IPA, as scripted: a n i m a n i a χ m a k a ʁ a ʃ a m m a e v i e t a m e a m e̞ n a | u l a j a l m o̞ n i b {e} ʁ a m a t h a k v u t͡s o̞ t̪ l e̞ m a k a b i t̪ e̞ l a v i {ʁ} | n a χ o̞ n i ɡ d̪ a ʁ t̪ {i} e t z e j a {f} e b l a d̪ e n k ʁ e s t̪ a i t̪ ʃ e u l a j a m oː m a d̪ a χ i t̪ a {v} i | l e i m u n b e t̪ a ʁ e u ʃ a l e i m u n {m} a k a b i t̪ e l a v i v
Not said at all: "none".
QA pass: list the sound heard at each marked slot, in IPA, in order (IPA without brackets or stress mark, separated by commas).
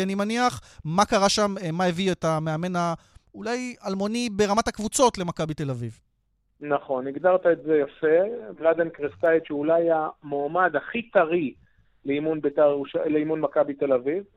e, v, a, f, ʁ, m